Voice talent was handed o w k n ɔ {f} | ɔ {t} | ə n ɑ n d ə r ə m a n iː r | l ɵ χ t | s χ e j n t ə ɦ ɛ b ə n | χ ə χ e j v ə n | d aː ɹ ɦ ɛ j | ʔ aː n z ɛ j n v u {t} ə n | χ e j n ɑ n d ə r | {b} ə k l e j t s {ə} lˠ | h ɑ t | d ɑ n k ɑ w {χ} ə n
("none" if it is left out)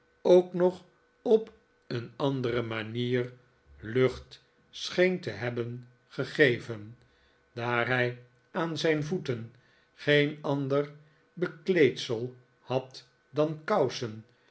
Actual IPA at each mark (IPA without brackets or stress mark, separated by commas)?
χ, p, t, b, ə, s